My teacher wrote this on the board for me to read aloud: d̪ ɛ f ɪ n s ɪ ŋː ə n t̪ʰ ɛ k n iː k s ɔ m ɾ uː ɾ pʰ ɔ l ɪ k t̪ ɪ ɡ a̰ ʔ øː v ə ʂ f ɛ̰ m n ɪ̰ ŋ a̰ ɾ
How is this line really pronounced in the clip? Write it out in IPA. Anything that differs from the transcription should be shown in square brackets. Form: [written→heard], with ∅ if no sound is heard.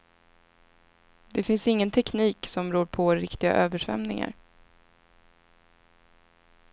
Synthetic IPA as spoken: d̪ ɛ f ɪ n s ɪ ŋː ə n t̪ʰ ɛ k n iː k s ɔ m ɾ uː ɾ pʰ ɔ [l→ɾ] ɪ k t̪ ɪ ɡ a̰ ʔ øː v ə ʂ [f→v] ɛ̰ m n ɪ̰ ŋ a̰ ɾ

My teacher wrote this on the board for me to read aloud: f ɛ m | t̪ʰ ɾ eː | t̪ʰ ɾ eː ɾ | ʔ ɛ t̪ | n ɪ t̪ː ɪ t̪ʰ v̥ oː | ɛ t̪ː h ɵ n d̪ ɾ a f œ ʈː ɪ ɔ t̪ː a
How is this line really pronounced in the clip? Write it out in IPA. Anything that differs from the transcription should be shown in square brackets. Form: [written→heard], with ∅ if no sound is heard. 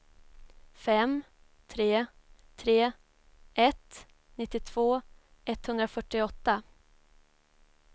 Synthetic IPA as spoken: f ɛ m | t̪ʰ ɾ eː | t̪ʰ ɾ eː [ɾ→∅] | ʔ ɛ t̪ | n ɪ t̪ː ɪ t̪ʰ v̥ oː | ɛ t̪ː h ɵ n d̪ ɾ a f œ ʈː ɪ ɔ t̪ː a

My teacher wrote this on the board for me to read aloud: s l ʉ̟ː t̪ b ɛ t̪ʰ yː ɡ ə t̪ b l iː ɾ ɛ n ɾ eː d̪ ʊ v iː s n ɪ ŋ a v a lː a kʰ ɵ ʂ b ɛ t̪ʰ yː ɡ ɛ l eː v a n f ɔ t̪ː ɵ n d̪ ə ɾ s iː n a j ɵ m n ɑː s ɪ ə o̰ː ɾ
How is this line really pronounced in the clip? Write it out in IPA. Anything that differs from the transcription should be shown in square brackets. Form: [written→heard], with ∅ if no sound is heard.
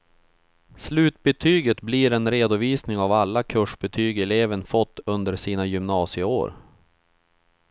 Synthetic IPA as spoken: s l ʉ̟ː t̪ b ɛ t̪ʰ yː ɡ ə t̪ b l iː ɾ ɛ n ɾ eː d̪ ʊ v iː s n ɪ ŋ a v a lː a kʰ ɵ ʂ b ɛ t̪ʰ yː ɡ ɛ l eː v [a→ə] n f ɔ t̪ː ɵ n d̪ ə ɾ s iː n a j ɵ m n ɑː s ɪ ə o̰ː ɾ

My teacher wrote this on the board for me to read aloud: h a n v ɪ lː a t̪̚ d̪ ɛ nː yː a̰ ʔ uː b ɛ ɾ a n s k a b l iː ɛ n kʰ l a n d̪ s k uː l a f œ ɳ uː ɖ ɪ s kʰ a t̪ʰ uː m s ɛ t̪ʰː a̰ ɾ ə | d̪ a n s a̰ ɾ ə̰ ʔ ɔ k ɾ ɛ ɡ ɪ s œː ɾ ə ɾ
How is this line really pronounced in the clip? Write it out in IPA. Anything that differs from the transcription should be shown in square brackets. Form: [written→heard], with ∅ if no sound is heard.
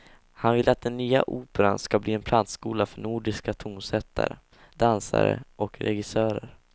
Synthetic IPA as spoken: h a n v ɪ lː a t̪̚ d̪ ɛ nː yː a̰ ʔ uː [b→p] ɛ ɾ a n s k a b l iː ɛ n [kʰ→pʰ] l a n [d̪→t̪] s k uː l a f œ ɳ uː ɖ ɪ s [kʰ→k] a t̪ʰ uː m s ɛ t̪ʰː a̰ ɾ ə | d̪ a n s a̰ ɾ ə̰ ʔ ɔ k ɾ ɛ ɡ ɪ s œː ɾ ə ɾ

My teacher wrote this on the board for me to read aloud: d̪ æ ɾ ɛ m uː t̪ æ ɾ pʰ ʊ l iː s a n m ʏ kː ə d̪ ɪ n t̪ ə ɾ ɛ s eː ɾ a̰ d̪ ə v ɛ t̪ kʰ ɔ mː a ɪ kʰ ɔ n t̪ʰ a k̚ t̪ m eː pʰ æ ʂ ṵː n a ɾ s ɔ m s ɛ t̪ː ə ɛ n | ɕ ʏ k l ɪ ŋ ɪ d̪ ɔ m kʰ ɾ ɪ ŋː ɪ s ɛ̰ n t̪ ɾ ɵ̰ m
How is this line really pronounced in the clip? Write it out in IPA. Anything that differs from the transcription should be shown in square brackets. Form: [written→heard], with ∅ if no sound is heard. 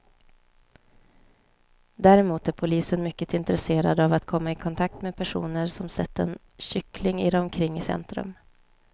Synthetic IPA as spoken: d̪ æ ɾ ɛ m uː t̪ æ ɾ pʰ ʊ l iː s [a→ə] n m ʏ kː ə [d̪→t̪] ɪ n t̪ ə ɾ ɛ s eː ɾ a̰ d̪ [ə→a] v [ɛ→a] t̪ kʰ ɔ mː a ɪ kʰ ɔ n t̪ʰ a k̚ t̪ m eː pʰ æ ʂ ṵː n [a→ə] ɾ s ɔ m s ɛ t̪ː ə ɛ n | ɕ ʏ k l ɪ ŋ ɪ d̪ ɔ m kʰ ɾ ɪ ŋː ɪ s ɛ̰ n t̪ ɾ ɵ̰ m

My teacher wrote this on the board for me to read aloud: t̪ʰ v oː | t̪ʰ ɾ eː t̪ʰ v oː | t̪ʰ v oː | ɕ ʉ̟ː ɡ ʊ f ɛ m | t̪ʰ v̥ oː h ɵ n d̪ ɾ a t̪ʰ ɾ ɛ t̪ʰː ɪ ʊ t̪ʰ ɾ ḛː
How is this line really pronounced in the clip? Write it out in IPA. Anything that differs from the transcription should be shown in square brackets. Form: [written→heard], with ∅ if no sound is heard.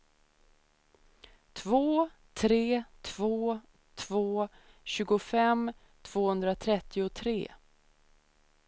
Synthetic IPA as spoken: t̪ʰ v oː | t̪ʰ ɾ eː t̪ʰ v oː | t̪ʰ v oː | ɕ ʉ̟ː ɡ ʊ f ɛ m | t̪ʰ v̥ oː h ɵ n d̪ ɾ a t̪ʰ ɾ ɛ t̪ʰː ɪ ʊ t̪ʰ ɾ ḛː

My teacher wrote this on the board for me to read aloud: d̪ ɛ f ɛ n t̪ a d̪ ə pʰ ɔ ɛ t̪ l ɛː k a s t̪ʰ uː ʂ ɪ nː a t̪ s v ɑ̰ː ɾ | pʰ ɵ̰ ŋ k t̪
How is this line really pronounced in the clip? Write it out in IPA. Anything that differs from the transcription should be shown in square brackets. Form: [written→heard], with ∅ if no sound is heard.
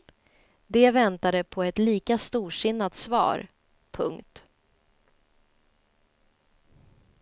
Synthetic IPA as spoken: d̪ ɛ [f→v] ɛ n t̪ a d̪ ə pʰ ɔ ɛ t̪ l [ɛː→iː] k a s [t̪ʰ→t̪] uː ʂ ɪ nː a t̪ s v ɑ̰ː ɾ | pʰ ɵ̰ ŋ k t̪

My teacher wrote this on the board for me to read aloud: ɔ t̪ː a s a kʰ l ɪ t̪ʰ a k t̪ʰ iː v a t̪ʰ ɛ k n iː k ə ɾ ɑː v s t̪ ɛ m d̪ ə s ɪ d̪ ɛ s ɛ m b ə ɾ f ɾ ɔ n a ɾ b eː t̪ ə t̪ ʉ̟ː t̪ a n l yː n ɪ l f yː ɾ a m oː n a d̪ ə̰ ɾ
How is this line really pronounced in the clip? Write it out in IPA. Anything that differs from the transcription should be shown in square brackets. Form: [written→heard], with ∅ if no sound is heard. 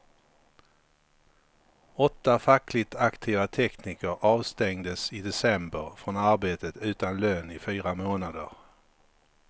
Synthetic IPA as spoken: ɔ t̪ː a [s→f] a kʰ l ɪ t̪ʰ a k t̪ʰ iː v a t̪ʰ ɛ k n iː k ə ɾ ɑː v s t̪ ɛ [m→ŋ] d̪ ə s ɪ d̪ ɛ s ɛ m b ə ɾ f ɾ ɔ n a ɾ b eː t̪ ə t̪ ʉ̟ː t̪ a n l [yː→øː] n ɪ [l→∅] f yː ɾ a m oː n a d̪ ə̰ ɾ

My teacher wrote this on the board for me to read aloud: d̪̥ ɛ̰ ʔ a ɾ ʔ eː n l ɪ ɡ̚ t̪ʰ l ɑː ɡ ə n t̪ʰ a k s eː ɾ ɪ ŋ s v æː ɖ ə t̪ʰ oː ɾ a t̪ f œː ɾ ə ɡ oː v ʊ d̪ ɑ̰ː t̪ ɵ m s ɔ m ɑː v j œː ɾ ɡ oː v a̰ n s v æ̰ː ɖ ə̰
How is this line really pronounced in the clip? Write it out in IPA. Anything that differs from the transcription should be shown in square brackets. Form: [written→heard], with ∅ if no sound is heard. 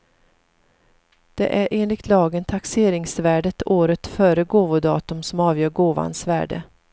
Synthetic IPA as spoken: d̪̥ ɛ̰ ʔ [a→æ] ɾ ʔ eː n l ɪ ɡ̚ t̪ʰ l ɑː ɡ ə n t̪ʰ a k s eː ɾ ɪ ŋ s v æː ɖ ə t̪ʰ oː ɾ [a→ə] t̪ f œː ɾ ə ɡ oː v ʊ d̪ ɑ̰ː t̪ ɵ m s ɔ m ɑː v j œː ɾ ɡ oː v a̰ n s v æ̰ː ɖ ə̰

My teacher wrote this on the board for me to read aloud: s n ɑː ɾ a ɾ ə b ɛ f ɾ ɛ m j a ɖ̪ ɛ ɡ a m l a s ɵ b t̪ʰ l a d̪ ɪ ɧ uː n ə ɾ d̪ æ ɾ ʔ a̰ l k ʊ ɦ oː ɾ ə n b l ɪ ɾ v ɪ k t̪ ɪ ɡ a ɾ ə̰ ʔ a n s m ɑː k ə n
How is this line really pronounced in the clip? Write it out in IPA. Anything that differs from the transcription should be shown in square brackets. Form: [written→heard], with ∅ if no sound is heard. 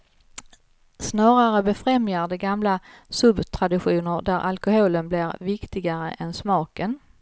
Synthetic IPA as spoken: s n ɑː ɾ a ɾ ə b ɛ f ɾ ɛ m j a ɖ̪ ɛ ɡ a m l a s ɵ b t̪ʰ [l→ɾ] a d̪ ɪ ɧ uː n ə ɾ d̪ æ ɾ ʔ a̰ l k ʊ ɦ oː [ɾ→l] ə n b l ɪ ɾ v ɪ k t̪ ɪ ɡ a ɾ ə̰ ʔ [a→ɛ] n s m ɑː k ə n

